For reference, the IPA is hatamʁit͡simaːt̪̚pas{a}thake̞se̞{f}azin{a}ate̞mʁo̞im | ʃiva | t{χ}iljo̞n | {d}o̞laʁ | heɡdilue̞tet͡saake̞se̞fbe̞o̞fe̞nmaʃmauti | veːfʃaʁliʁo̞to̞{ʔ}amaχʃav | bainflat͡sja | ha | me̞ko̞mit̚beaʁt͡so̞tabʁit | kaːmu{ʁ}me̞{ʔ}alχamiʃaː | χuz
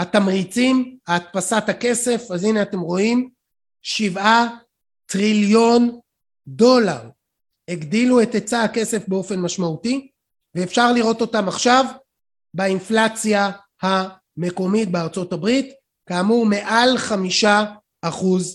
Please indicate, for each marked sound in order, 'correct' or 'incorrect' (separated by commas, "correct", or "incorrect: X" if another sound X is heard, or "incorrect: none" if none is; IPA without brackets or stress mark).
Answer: correct, correct, incorrect: e, incorrect: ʁ, correct, incorrect: t, correct, correct